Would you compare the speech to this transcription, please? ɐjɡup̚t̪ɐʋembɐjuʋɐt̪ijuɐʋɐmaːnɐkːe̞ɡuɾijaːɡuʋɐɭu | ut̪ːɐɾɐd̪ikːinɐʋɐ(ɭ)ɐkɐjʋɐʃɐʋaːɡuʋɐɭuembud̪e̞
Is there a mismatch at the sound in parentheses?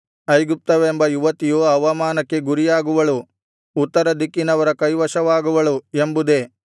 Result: yes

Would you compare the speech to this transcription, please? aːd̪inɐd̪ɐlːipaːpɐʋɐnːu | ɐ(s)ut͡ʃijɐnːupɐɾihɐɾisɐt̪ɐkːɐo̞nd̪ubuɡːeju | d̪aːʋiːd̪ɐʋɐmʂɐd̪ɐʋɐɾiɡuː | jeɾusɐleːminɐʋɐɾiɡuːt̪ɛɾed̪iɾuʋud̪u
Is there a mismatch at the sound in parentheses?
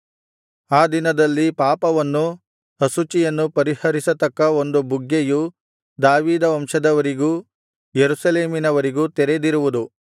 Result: no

